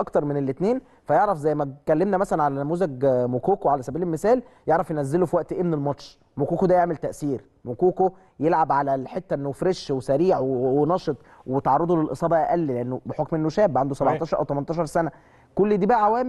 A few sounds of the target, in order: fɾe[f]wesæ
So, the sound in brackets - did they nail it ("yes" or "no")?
no